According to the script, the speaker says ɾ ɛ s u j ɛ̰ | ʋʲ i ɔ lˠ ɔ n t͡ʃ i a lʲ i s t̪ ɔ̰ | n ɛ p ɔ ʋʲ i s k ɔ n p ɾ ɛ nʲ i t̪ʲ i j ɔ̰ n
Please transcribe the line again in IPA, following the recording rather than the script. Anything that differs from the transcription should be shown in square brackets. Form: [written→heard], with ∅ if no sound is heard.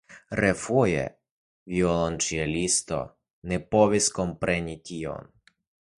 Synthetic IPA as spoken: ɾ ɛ [s→f] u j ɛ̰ | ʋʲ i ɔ lˠ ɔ n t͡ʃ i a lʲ i s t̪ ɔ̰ | n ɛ p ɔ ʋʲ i s k ɔ [n→m] p ɾ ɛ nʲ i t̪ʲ i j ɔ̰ n